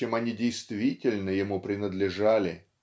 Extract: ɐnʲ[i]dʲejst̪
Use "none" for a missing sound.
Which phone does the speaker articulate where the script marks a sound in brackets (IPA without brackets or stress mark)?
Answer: i